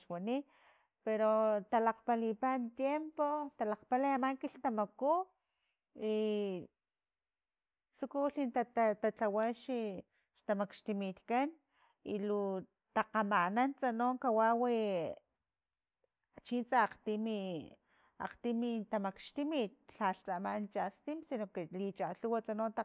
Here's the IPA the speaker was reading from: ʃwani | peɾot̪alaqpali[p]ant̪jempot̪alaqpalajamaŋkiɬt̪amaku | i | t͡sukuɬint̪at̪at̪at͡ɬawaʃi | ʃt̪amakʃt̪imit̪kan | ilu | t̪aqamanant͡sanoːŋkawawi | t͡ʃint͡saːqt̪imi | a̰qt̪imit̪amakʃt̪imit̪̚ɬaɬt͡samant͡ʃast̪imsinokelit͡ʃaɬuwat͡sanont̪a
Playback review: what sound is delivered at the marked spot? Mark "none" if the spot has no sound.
p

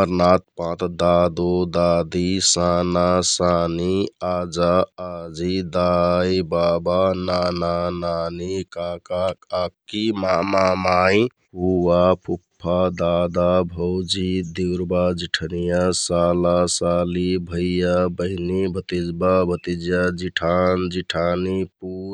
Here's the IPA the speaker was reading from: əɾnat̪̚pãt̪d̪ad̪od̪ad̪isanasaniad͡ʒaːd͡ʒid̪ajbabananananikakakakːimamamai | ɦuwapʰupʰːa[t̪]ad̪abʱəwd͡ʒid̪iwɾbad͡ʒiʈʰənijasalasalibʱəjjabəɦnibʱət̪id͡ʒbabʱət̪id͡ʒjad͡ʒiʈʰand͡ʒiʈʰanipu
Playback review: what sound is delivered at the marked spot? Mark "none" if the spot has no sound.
d̪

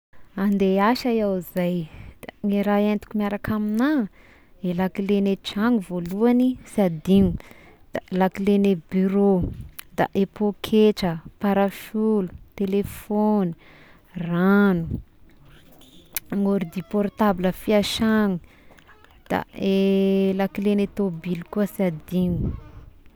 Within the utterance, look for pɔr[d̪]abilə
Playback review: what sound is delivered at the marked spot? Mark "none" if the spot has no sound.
t̪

